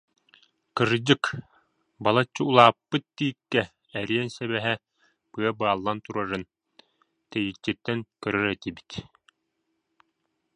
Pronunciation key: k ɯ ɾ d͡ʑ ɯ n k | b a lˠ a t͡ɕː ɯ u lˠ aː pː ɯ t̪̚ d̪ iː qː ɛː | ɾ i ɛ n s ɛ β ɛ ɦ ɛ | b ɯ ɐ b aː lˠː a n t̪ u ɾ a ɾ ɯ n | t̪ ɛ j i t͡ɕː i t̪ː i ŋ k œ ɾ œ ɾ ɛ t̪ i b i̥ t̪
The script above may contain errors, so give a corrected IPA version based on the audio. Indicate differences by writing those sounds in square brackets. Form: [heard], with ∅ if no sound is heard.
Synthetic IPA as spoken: k ɯ ɾ d͡ʑ ɯ [∅] k | b a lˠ a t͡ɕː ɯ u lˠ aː pː ɯ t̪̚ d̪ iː [kː] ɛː | ɾ i ɛ n s ɛ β ɛ ɦ ɛ | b ɯ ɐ b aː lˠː a n t̪ u ɾ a ɾ ɯ n | t̪ ɛ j i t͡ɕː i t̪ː [ɛ] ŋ k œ ɾ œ ɾ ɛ t̪ i b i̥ t̪